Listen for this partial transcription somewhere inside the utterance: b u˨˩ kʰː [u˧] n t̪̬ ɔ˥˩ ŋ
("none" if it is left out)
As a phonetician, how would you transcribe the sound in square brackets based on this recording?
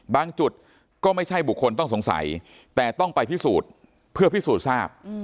o˧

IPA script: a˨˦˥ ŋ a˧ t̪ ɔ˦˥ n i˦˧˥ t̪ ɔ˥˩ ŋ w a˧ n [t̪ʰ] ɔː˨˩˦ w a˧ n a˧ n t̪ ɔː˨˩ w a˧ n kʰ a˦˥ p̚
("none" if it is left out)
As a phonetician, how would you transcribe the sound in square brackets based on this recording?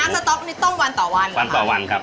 t̪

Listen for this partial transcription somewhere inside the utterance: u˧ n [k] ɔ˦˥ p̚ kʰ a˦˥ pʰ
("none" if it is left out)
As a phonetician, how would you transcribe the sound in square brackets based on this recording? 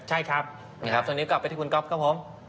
k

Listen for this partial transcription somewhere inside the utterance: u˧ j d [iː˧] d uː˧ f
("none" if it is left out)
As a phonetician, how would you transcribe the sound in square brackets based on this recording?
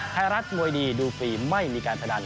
iː˧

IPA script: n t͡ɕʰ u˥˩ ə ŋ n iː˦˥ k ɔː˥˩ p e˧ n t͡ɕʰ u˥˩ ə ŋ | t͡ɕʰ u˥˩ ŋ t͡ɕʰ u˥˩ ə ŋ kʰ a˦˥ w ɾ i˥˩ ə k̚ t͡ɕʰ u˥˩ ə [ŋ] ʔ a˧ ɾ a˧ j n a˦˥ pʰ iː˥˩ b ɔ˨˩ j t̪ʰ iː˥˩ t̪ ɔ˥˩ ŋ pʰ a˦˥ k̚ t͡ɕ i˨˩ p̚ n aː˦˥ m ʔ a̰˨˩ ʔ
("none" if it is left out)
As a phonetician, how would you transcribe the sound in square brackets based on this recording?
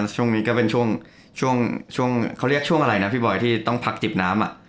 ŋ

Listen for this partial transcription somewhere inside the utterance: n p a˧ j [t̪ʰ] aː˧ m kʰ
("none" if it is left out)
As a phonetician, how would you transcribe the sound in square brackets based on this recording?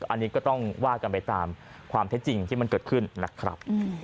t̪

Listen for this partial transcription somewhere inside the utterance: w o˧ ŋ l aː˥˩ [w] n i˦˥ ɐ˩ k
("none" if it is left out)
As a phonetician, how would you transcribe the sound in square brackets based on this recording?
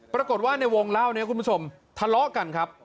w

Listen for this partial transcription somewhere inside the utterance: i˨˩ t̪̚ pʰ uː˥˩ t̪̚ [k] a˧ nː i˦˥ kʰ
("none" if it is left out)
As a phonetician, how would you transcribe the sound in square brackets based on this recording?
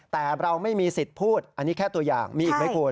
ʔ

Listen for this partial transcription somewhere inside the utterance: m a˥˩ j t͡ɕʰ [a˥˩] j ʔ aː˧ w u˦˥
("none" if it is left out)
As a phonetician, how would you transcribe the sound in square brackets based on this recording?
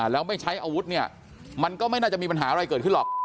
a˦˥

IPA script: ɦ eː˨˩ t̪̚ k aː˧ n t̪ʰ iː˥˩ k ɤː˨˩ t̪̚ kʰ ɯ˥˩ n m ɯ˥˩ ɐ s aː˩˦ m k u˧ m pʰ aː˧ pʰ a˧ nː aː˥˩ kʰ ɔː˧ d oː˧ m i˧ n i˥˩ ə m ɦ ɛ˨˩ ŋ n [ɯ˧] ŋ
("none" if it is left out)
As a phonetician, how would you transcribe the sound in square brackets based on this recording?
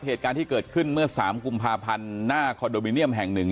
ɯ˨˩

